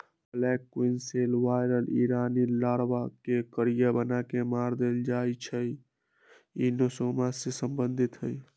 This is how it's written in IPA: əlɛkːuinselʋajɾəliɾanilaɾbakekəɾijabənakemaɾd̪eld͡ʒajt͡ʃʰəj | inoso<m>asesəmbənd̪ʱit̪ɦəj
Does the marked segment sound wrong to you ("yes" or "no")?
no